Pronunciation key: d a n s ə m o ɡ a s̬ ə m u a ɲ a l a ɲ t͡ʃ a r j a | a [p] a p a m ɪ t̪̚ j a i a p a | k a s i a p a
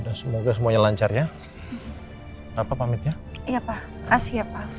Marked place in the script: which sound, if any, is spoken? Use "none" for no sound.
p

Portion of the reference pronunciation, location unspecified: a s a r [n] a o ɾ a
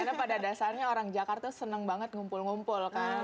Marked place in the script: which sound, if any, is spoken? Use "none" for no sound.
ɲ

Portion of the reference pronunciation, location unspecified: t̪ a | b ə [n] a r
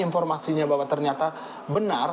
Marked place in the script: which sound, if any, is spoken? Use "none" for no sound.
n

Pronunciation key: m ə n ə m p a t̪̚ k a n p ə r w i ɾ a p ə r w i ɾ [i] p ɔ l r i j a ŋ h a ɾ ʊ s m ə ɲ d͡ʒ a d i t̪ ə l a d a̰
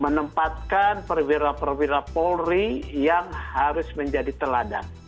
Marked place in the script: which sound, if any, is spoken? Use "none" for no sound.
a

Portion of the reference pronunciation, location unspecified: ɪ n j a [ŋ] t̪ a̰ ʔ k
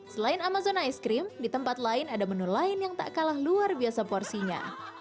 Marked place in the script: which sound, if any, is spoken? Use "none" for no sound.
ŋ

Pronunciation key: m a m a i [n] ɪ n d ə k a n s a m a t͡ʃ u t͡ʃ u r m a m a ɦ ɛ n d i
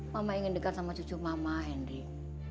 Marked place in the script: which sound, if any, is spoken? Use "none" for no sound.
ŋ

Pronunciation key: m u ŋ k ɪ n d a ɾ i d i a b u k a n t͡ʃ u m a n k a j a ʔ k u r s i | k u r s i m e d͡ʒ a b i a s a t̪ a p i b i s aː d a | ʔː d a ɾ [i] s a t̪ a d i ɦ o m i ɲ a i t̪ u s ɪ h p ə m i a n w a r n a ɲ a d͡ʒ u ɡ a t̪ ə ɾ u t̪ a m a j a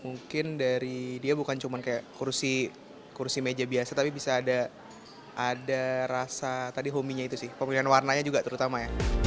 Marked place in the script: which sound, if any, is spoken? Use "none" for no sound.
a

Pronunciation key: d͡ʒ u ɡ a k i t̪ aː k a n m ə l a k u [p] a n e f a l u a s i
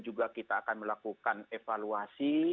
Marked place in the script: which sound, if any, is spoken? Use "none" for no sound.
k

